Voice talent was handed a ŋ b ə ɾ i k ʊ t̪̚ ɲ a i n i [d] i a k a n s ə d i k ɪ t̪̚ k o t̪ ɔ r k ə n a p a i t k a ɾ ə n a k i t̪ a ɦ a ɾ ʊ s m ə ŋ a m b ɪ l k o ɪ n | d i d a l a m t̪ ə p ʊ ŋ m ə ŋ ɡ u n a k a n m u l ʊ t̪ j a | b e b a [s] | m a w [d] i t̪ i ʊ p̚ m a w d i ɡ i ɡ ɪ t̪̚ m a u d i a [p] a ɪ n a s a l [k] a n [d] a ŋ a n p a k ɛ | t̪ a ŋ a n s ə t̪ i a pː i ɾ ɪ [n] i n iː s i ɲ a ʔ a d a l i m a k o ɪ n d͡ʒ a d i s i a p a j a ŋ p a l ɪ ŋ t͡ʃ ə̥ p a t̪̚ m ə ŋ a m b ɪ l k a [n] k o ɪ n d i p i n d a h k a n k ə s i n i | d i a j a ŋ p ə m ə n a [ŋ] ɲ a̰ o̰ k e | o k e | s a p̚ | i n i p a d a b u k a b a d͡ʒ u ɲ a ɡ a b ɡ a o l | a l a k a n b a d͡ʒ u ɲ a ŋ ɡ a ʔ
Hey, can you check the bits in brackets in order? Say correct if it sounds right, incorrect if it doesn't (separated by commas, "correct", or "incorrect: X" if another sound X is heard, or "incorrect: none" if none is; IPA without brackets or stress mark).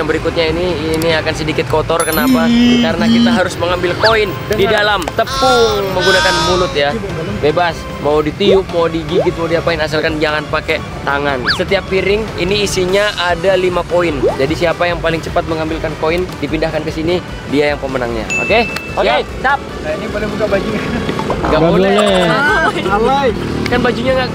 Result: incorrect: n, correct, correct, correct, correct, incorrect: d͡ʒ, incorrect: ŋ, correct, correct